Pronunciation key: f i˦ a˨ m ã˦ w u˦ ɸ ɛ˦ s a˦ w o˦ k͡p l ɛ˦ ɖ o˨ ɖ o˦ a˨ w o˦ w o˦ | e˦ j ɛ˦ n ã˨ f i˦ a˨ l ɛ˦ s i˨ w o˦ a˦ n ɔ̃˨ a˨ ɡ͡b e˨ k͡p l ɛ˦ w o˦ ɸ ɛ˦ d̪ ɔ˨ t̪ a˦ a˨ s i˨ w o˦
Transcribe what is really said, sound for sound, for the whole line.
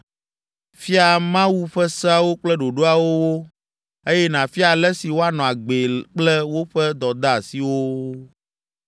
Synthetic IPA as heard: f i˦ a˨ m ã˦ w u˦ ɸ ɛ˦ s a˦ w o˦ k͡p l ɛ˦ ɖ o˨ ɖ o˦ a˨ w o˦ w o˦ | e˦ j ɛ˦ n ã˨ f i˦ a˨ l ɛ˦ s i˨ w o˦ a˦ n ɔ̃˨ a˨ ɡ͡b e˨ k͡p l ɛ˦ w o˦ ɸ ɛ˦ d̪ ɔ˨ d̪ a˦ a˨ s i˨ w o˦